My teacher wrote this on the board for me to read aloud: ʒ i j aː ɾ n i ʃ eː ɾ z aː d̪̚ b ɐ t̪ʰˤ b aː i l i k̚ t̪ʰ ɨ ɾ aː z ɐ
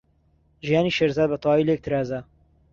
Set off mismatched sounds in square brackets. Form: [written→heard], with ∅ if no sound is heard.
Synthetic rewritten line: ʒ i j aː [ɾ→∅] n i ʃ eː ɾ z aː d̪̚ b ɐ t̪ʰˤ [b→w] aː i l [i→e] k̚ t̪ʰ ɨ ɾ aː z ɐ